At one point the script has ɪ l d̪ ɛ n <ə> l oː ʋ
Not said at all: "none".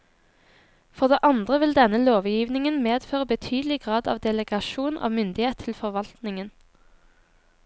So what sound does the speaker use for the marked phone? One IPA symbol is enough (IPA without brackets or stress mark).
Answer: ə